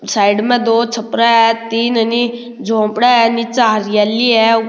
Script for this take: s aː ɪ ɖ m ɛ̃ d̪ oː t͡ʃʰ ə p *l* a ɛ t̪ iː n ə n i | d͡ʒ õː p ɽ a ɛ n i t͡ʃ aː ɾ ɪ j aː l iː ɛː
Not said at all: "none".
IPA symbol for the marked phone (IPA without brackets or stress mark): ɾ